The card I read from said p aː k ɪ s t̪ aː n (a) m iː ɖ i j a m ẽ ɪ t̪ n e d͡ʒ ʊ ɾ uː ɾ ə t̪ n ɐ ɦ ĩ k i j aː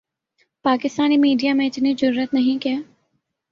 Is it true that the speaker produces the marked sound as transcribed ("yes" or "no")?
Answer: no